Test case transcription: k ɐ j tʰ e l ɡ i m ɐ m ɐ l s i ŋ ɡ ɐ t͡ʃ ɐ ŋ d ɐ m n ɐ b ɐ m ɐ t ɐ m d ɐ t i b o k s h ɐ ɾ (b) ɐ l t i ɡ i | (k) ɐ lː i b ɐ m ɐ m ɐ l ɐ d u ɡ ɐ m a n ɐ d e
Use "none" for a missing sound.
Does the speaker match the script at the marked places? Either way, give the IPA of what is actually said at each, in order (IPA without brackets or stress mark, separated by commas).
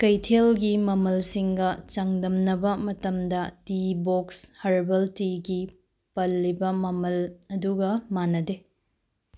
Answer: b, p